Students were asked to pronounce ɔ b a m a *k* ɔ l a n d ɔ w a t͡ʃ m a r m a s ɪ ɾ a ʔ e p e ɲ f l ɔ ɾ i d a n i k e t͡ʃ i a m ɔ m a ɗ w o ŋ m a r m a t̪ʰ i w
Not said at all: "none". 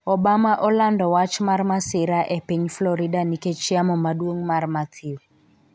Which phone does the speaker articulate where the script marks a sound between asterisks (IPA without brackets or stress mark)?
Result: ʔ